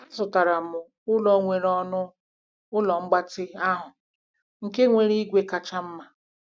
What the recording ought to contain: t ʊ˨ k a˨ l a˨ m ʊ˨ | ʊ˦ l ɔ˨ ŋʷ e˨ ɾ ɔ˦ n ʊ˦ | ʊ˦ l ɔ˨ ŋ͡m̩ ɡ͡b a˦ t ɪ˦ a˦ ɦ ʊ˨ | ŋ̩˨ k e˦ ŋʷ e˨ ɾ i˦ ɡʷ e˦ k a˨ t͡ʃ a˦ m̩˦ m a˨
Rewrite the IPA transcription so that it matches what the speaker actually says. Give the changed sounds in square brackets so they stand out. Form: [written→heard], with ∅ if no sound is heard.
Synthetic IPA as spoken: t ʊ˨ [k→t] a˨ [l→ɾ] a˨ m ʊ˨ | ʊ˦ l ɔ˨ ŋʷ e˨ ɾ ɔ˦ n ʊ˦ | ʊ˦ l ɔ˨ ŋ͡m̩ ɡ͡b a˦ t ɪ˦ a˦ ɦ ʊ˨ | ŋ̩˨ k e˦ ŋʷ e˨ ɾ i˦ ɡʷ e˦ k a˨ t͡ʃ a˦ m̩˦ m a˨